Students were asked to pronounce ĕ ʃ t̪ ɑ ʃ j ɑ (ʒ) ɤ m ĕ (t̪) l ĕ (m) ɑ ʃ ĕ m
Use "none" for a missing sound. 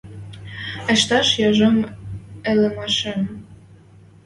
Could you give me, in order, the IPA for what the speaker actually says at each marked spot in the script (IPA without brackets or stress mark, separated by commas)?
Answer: ʒ, none, m